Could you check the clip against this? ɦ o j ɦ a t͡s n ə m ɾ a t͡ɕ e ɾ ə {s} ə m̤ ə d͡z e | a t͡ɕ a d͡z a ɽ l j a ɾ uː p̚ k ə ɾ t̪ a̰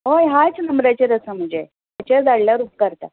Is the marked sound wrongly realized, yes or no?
no